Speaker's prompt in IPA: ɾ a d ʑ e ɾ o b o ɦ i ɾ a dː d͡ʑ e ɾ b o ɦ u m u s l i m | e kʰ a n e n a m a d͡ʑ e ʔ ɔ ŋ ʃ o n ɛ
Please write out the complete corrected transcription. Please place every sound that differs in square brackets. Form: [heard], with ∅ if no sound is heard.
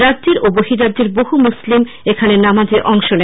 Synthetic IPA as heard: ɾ a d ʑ e ɾ o b o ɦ i ɾ a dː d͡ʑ e ɾ b o ɦ u m u s l i m | e kʰ a n e n a m a d͡ʑ e ʔ ɔ ŋ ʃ o n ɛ